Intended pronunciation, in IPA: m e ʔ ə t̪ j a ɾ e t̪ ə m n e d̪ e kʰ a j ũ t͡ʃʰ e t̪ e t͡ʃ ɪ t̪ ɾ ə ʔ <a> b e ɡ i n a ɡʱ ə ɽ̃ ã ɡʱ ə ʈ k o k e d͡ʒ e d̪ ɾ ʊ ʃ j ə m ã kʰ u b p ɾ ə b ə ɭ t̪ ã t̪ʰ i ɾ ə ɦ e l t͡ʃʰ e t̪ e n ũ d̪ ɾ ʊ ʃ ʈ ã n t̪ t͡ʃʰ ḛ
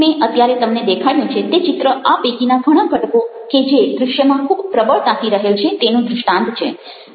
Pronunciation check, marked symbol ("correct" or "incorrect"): correct